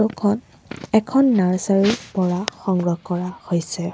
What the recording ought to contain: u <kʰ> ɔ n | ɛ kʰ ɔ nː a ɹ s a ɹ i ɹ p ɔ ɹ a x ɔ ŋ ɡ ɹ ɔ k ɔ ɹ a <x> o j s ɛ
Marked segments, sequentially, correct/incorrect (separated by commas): correct, incorrect